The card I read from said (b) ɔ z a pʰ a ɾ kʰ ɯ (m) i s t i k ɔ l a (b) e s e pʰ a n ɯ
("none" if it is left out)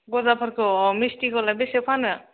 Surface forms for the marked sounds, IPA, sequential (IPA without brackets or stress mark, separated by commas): ɡ, m, b